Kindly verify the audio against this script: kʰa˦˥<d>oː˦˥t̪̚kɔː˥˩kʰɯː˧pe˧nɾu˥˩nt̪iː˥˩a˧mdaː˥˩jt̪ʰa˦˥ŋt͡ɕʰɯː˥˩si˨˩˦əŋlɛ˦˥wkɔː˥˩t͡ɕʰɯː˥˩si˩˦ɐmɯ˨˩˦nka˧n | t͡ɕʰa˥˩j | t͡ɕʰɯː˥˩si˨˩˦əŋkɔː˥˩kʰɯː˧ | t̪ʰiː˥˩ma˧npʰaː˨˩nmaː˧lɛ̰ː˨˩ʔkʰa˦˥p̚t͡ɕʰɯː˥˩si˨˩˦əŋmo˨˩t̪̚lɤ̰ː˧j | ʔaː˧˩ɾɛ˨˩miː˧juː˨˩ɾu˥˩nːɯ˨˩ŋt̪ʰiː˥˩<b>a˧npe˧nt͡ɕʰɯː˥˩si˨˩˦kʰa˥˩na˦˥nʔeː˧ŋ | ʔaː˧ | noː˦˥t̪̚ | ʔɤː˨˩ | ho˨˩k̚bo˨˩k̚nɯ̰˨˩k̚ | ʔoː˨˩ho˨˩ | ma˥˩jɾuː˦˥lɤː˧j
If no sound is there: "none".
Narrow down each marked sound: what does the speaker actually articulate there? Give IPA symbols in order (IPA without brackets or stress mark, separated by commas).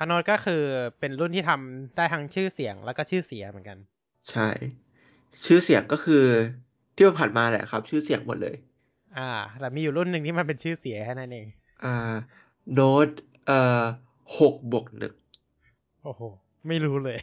n, m